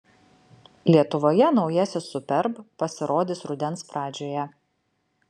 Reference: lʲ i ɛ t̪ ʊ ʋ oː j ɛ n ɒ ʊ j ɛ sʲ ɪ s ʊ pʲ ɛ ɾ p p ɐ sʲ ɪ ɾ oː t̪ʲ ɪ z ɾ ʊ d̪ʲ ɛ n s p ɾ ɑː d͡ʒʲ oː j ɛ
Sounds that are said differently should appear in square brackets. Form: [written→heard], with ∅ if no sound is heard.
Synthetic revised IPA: lʲ i ɛ t̪ ʊ ʋ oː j ɛ n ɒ ʊ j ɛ sʲ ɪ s ʊ pʲ ɛ ɾ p p ɐ sʲ ɪ ɾ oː [t̪ʲ→d̪ʲ] ɪ [z→s] ɾ ʊ d̪ʲ ɛ n s p ɾ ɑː d͡ʒʲ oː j ɛ

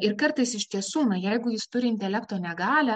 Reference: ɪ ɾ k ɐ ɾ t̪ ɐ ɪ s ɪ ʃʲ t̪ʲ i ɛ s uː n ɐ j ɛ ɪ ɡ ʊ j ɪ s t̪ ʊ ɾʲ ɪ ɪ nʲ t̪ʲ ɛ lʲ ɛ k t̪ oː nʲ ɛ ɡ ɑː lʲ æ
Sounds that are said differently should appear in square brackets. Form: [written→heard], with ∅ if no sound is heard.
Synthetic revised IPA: ɪ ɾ k ɐ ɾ t̪ ɐ ɪ s ɪ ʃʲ t̪ʲ i ɛ s uː n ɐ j ɛ ɪ ɡ ʊ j ɪ s t̪ ʊ ɾʲ ɪ ɪ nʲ t̪ʲ ɛ lʲ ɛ k t̪ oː nʲ ɛ ɡ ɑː lʲ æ

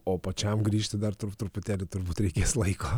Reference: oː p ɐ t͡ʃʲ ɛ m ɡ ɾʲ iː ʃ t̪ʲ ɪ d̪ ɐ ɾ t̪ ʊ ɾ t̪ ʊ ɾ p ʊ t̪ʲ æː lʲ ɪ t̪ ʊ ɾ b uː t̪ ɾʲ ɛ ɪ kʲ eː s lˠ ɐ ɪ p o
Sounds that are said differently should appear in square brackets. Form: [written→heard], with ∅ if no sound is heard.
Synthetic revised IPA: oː p ɐ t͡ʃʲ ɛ m ɡ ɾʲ iː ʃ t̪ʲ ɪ d̪ ɐ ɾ t̪ ʊ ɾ t̪ ʊ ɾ p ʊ t̪ʲ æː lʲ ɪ t̪ ʊ ɾ b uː t̪ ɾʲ ɛ ɪ kʲ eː s lˠ ɐ ɪ [p→k] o

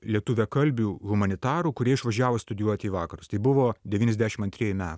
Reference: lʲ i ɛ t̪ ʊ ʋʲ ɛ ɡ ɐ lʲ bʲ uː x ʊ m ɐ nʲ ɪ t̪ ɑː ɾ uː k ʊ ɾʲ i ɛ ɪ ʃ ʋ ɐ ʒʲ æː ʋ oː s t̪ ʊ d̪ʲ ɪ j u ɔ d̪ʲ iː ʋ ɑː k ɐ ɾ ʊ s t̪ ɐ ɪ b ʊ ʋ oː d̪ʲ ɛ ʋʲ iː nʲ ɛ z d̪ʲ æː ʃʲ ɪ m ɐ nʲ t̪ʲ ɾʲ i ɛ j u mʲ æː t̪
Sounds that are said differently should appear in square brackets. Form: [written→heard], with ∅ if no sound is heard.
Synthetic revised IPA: lʲ i ɛ t̪ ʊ ʋʲ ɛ [ɡ→k] ɐ lʲ bʲ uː [x→ɣ] ʊ m ɐ nʲ ɪ t̪ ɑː ɾ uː k ʊ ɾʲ i ɛ ɪ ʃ ʋ ɐ ʒʲ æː ʋ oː s t̪ ʊ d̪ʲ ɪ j u ɔ [d̪ʲ→t̪ʲ] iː ʋ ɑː k ɐ ɾ ʊ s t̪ ɐ ɪ b ʊ ʋ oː d̪ʲ ɛ ʋʲ iː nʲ ɛ z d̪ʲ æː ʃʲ ɪ m ɐ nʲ t̪ʲ ɾʲ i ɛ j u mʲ æː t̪

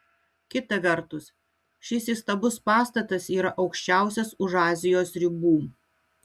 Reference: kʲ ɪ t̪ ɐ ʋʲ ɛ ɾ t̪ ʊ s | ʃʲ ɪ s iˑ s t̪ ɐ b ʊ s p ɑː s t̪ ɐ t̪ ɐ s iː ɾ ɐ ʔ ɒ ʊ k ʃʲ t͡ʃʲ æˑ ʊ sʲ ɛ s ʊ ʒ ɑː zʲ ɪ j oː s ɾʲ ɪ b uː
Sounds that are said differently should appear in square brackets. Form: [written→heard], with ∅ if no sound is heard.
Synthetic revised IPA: kʲ ɪ t̪ ɐ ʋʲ ɛ ɾ t̪ ʊ s | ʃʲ ɪ s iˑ s t̪ ɐ b ʊ s p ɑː s t̪ ɐ t̪ ɐ s iː ɾ ɐ ʔ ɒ ʊ k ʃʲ t͡ʃʲ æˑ ʊ sʲ ɛ s ʊ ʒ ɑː zʲ ɪ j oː s ɾʲ ɪ b uː

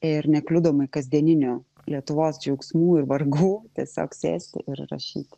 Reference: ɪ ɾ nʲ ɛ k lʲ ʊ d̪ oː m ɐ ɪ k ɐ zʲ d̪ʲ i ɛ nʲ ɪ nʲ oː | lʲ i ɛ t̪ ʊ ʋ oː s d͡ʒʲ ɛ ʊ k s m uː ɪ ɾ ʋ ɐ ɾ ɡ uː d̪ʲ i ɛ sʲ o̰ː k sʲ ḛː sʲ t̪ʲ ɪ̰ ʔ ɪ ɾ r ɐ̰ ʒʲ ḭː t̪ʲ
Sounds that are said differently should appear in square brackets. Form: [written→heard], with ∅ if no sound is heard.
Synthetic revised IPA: ɪ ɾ nʲ ɛ k lʲ ʊ d̪ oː m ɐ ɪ k ɐ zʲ d̪ʲ i ɛ nʲ ɪ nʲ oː | lʲ i ɛ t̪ ʊ ʋ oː s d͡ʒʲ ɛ ʊ k s m uː ɪ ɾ ʋ ɐ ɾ ɡ uː [d̪ʲ→t̪ʲ] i ɛ sʲ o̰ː k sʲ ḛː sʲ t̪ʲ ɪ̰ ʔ ɪ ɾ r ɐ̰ [ʒʲ→ʃʲ] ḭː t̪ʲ

